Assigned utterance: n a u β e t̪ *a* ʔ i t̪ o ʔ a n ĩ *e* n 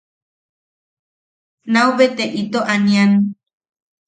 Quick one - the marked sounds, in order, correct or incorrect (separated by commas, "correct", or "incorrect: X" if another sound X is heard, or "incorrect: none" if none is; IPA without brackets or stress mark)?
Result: incorrect: e, incorrect: a